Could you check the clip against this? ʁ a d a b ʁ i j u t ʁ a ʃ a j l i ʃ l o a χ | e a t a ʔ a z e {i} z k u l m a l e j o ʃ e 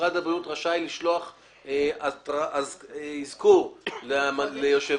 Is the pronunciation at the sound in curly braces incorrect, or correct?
correct